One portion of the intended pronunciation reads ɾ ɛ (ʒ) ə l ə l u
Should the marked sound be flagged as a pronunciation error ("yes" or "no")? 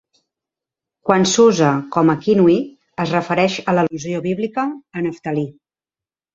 yes